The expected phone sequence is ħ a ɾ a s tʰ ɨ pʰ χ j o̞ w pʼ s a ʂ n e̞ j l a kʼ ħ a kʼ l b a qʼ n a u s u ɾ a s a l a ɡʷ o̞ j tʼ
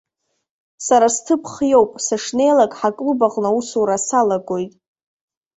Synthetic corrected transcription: s a ɾ a s tʰ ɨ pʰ χ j o̞ w pʼ s a ʂ n e̞ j l a kʼ ħ a kʼ l b a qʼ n a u s u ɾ a s a l a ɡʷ o̞ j tʼ